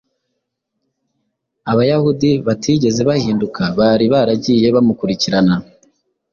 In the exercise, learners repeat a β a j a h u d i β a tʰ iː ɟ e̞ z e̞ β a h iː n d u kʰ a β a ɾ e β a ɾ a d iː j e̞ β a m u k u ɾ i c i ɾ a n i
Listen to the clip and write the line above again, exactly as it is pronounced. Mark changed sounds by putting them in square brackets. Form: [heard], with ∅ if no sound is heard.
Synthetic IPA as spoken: a β a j a h u d i β a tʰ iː ɟ e̞ z e̞ β a h iː n d u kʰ a β a ɾ [i] β a ɾ a [ɟ] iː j e̞ β a m u k u ɾ i c i ɾ a n [a]